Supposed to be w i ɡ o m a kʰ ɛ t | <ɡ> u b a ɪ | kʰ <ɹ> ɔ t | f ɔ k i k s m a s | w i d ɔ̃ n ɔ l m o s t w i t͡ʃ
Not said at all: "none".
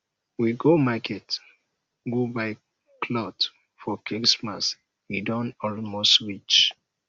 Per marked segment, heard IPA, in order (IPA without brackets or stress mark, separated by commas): ɡ, l